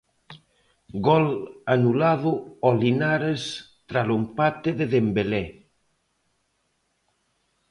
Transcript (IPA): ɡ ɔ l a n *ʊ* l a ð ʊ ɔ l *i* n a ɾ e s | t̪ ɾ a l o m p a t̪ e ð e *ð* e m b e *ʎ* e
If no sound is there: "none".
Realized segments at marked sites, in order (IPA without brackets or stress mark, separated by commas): u, i, ð, l